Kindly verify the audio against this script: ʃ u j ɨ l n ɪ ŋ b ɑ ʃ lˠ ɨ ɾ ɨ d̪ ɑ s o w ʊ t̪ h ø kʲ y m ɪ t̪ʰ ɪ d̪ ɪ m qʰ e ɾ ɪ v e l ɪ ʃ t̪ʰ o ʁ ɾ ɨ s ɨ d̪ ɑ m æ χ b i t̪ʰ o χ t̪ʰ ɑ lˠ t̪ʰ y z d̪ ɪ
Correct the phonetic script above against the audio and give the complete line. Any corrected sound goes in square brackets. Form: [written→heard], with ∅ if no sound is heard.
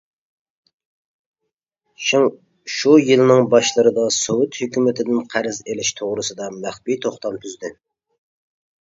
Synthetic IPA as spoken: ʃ u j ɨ l n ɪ ŋ b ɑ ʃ lˠ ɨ ɾ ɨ d̪ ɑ s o w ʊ t̪ h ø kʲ y m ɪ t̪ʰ ɪ d̪ ɪ [m→n] qʰ [e→æ] ɾ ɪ [v→z] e l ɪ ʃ t̪ʰ o ʁ ɾ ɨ s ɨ d̪ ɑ m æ χ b i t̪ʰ o χ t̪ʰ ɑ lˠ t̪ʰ y z d̪ ɪ